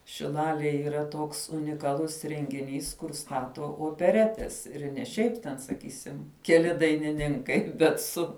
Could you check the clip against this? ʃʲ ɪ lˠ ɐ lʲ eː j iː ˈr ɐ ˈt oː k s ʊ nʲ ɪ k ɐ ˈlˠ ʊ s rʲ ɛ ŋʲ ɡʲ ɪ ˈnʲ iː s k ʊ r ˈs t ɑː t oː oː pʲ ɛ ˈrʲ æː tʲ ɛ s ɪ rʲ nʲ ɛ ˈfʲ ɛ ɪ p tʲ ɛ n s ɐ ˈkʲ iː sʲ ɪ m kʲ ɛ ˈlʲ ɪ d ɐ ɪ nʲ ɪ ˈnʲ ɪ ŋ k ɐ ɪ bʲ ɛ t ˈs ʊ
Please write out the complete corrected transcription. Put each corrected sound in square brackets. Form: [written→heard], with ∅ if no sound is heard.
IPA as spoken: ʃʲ ɪ lˠ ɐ lʲ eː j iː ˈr ɐ ˈt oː k s ʊ nʲ ɪ k ɐ ˈlˠ ʊ s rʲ ɛ ŋʲ ɡʲ ɪ ˈnʲ iː s k ʊ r ˈs t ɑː t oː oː pʲ ɛ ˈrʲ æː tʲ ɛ s ɪ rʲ nʲ ɛ [ˈfʲ→ˈʃʲ] ɛ ɪ p tʲ ɛ n s ɐ ˈkʲ iː sʲ ɪ m kʲ ɛ ˈlʲ ɪ d ɐ ɪ nʲ ɪ ˈnʲ ɪ ŋ k ɐ ɪ bʲ ɛ t ˈs ʊ

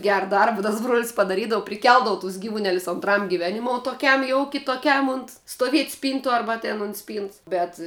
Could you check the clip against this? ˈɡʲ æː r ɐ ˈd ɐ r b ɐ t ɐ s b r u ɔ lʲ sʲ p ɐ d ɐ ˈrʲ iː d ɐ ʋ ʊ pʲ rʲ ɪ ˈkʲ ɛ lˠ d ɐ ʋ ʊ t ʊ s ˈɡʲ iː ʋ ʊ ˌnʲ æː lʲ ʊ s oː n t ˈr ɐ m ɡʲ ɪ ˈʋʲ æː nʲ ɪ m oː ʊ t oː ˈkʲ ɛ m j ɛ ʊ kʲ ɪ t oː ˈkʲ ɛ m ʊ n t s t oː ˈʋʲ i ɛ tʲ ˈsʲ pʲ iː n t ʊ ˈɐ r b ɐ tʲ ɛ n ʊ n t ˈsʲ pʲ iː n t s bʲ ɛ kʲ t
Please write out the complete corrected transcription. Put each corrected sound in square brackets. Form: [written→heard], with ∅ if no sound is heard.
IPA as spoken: ˈɡʲ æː r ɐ ˈd ɐ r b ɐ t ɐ s b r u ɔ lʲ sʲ p ɐ d ɐ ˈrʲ iː d ɐ ʋ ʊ pʲ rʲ ɪ ˈkʲ ɛ lˠ d ɐ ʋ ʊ t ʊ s ˈɡʲ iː ʋ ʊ ˌnʲ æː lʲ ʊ s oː n t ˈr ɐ m ɡʲ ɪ ˈʋʲ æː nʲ ɪ m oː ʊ t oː ˈkʲ ɛ m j ɛ ʊ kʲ ɪ t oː ˈkʲ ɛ m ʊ n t s t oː ˈʋʲ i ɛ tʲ ˈsʲ pʲ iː n t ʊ ˈɐ r b ɐ tʲ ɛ n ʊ n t ˈsʲ pʲ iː n t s bʲ ɛ [kʲ→∅] t

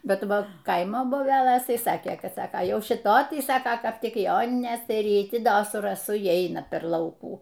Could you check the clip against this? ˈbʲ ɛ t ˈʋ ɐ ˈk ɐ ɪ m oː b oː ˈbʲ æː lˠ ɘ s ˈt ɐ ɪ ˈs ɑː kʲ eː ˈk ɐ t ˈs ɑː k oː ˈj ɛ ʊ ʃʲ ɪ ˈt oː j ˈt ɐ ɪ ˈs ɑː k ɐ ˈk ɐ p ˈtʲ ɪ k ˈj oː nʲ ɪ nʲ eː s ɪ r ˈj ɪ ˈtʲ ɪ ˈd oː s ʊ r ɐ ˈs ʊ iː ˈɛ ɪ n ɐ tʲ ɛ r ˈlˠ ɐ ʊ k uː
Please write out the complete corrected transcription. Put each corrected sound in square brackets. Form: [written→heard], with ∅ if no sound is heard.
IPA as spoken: ˈbʲ ɛ t ˈʋ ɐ ˈk ɐ ɪ m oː b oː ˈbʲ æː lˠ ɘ s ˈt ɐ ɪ ˈs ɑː kʲ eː ˈk ɐ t ˈs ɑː k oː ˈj ɛ ʊ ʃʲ ɪ ˈt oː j ˈt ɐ ɪ ˈs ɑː k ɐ ˈk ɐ p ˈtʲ ɪ k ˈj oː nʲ ɪ nʲ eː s ɪ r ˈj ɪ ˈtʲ ɪ ˈd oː s ʊ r ɐ ˈs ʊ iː ˈɛ ɪ n ɐ [tʲ→pʲ] ɛ r ˈlˠ ɐ ʊ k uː

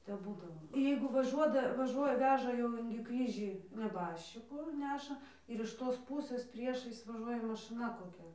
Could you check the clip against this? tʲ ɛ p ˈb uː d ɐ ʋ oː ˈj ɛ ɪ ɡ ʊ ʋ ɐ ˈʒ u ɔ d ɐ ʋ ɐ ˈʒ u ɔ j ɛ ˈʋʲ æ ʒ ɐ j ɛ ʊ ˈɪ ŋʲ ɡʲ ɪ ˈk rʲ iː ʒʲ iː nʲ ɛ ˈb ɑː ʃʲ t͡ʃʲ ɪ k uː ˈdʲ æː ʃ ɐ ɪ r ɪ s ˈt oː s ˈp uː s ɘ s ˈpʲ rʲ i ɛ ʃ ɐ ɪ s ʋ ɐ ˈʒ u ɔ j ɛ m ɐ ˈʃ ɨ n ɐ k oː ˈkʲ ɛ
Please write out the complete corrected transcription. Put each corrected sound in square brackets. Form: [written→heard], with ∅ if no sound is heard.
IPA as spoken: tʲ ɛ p ˈb uː d ɐ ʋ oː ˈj ɛ ɪ ɡ ʊ ʋ ɐ ˈʒ u ɔ d ɐ ʋ ɐ ˈʒ u ɔ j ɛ ˈʋʲ [æ→æː] ʒ ɐ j ɛ ʊ ˈɪ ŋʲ ɡʲ ɪ ˈk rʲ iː ʒʲ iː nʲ ɛ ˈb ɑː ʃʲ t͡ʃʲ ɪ k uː [ˈdʲ→ˈnʲ] æː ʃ ɐ ɪ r ɪ [s→ʃ] ˈt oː s ˈp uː s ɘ s ˈpʲ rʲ i ɛ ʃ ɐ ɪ s ʋ ɐ ˈʒ u ɔ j ɛ m ɐ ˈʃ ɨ n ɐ k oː ˈkʲ ɛ

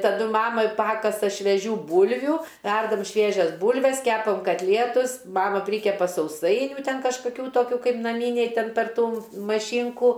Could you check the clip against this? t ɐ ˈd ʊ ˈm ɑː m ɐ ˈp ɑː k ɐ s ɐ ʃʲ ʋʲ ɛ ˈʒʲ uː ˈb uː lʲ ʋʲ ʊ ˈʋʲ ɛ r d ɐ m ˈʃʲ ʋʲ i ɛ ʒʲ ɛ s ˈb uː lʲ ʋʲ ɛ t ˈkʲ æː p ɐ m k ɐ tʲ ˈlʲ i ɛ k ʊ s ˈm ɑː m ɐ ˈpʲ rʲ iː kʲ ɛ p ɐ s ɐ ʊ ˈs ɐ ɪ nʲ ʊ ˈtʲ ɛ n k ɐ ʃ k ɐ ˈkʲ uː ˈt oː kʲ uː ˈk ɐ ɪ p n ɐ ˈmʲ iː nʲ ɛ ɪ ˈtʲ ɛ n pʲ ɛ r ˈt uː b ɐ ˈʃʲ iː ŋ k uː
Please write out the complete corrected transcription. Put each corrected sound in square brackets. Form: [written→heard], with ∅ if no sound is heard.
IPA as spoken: t ɐ ˈd ʊ ˈm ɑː m ɐ ˈp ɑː k ɐ s ɐ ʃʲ ʋʲ ɛ ˈʒʲ uː ˈb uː lʲ ʋʲ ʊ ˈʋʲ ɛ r d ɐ m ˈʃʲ ʋʲ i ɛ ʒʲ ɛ s ˈb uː lʲ ʋʲ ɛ [t→s] ˈkʲ æː p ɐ m k ɐ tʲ ˈlʲ i ɛ [k→t] ʊ s ˈm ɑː m ɐ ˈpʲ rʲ iː kʲ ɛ p ɐ s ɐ ʊ ˈs ɐ ɪ nʲ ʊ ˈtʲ ɛ n k ɐ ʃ k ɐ ˈkʲ uː ˈt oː kʲ uː ˈk ɐ ɪ p n ɐ ˈmʲ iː nʲ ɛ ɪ ˈtʲ ɛ n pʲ ɛ r ˈt uː [b→m] ɐ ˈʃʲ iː ŋ k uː

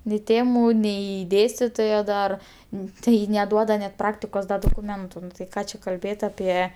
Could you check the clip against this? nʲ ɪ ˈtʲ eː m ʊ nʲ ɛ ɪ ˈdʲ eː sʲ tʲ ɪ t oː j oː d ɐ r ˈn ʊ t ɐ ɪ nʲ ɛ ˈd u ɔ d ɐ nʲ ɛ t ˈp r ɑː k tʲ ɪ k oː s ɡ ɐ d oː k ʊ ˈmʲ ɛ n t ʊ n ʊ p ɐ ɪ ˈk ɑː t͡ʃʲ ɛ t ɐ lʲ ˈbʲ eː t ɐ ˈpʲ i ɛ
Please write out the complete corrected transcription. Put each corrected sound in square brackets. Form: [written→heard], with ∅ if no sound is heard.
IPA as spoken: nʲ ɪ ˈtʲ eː m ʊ nʲ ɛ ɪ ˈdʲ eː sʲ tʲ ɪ t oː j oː d ɐ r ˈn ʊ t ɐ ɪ nʲ ɛ ˈd u ɔ d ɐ nʲ ɛ t ˈp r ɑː k tʲ ɪ k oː s [ɡ→d] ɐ d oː k ʊ ˈmʲ ɛ n t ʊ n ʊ [p→t] ɐ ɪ ˈk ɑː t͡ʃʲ ɛ [t→k] ɐ lʲ ˈbʲ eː t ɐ ˈpʲ i ɛ

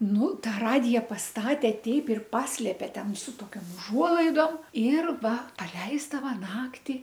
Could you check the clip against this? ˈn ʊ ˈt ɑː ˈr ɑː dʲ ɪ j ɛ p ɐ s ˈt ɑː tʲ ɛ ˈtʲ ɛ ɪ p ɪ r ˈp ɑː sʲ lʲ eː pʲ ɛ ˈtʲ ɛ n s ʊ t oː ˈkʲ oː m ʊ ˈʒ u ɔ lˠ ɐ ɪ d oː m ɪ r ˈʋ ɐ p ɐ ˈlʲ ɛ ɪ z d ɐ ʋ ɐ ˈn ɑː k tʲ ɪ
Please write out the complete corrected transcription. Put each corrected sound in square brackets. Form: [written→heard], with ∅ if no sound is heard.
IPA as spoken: ˈn ʊ ˈt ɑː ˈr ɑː dʲ ɪ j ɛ p ɐ s ˈt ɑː tʲ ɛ ˈtʲ ɛ ɪ p ɪ r ˈp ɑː sʲ lʲ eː pʲ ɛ ˈtʲ ɛ n s ʊ t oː ˈkʲ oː m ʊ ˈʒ u ɔ lˠ ɐ ɪ d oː m ɪ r ˈʋ ɐ p ɐ ˈlʲ ɛ ɪ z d ɐ ʋ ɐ ˈn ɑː k tʲ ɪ

